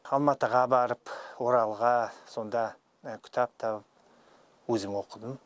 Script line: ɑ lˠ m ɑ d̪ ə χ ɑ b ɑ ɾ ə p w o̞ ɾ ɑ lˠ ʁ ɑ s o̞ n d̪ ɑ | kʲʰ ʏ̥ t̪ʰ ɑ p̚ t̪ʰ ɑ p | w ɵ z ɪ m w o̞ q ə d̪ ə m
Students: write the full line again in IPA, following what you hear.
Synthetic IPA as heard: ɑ lˠ m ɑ t̪ ə ʁ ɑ b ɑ ɾ ə p w o̞ ɾ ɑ lˠ ʁ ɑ s o̞ n d̪ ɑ | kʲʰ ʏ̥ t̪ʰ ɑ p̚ t̪ʰ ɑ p | w ɵ z ɪ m w o̞ q ə d̪ ə m